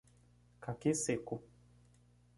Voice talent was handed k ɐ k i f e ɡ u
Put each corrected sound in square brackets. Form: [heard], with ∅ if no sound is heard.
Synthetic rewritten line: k [a] k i [s] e [k] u